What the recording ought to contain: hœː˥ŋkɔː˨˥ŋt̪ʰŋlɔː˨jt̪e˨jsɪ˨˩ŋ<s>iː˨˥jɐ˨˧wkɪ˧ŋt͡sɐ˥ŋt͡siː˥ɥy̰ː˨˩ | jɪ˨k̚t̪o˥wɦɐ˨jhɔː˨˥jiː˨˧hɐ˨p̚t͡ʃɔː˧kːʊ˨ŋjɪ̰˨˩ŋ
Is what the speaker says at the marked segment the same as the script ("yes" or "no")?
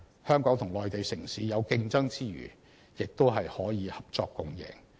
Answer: yes